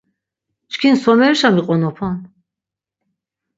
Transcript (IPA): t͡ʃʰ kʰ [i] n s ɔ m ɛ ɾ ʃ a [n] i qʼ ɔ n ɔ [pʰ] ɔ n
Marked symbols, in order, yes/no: yes, no, yes

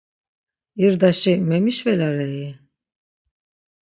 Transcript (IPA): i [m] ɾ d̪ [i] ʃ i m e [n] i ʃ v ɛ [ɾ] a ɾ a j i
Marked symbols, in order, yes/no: no, no, no, no

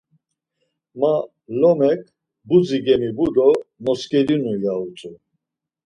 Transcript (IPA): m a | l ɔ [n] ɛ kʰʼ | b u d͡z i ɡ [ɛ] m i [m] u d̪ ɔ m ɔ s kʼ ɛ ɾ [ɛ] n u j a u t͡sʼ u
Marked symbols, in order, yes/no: no, yes, no, no

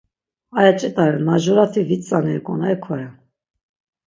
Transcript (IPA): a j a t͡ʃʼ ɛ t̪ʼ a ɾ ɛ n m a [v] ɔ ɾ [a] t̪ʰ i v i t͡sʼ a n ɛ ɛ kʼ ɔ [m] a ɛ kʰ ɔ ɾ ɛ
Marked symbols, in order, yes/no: no, yes, no

